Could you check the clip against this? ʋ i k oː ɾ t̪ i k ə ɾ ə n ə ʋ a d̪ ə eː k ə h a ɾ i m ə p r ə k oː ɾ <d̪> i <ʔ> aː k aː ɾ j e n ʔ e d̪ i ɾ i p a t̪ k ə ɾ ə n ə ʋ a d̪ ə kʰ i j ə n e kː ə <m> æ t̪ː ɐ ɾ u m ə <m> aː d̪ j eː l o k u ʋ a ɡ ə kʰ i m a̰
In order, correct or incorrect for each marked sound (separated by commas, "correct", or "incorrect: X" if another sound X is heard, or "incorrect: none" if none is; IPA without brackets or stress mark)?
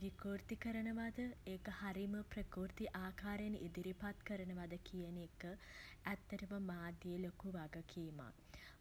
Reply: incorrect: t̪, correct, incorrect: none, correct